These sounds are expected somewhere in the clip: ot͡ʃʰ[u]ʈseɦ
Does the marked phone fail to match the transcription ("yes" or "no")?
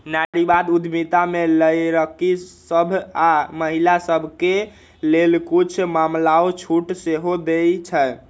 no